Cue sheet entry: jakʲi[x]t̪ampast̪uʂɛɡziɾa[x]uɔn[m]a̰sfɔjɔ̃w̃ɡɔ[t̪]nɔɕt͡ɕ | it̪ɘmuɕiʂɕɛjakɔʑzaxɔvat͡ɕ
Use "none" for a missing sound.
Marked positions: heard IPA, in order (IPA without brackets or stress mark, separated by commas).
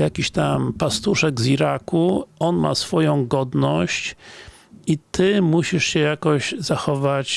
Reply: ɕ, k, m, d̪